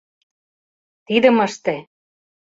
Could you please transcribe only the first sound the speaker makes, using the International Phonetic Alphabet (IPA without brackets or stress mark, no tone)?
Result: t̪